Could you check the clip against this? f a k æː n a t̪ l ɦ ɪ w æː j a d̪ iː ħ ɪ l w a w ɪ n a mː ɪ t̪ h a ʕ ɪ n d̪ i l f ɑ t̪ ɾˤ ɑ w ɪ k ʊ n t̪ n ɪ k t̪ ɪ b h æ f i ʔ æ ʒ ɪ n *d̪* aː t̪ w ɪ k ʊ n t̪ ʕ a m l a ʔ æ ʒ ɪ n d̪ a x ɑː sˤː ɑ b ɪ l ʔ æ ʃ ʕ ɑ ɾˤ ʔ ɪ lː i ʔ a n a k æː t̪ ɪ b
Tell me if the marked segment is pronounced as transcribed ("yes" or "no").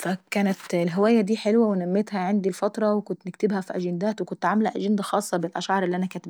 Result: yes